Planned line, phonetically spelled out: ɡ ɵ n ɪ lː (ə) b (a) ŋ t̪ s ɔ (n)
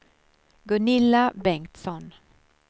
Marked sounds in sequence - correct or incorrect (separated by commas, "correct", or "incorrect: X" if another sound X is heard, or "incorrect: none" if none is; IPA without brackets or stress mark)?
incorrect: a, incorrect: ɛ, correct